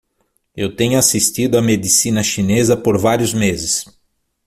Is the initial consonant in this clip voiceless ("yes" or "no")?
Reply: no